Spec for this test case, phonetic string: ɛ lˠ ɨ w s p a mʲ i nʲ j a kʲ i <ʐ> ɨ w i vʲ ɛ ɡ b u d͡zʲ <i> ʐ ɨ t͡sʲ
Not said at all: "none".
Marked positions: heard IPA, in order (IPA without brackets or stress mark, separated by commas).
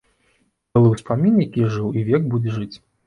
ʐ, ɛ